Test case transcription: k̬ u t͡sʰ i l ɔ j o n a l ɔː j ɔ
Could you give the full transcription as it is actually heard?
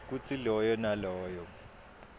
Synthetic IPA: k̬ u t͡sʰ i l ɔ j ɔ n a l ɔː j ɔ